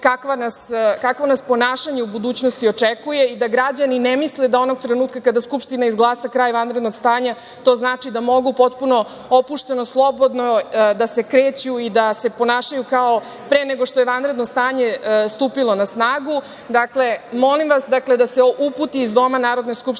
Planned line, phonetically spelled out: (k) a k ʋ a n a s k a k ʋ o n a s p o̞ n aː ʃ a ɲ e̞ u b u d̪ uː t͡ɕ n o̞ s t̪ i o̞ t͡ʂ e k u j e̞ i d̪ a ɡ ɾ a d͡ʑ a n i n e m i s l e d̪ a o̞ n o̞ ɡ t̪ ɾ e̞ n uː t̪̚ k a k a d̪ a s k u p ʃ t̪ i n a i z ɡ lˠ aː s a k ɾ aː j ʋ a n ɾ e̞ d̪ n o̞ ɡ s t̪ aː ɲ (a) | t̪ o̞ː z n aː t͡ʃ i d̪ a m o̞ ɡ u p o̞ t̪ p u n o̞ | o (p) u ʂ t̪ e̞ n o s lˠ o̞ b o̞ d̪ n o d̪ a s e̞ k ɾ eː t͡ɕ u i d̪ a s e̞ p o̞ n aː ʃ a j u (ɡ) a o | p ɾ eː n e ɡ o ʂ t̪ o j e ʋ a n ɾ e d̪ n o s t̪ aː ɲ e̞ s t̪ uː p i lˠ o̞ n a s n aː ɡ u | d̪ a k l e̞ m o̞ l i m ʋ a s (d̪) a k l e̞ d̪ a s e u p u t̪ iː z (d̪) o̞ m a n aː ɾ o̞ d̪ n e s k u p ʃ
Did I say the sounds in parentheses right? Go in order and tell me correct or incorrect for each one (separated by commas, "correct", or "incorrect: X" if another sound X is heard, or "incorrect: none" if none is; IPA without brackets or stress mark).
correct, correct, correct, incorrect: k, correct, correct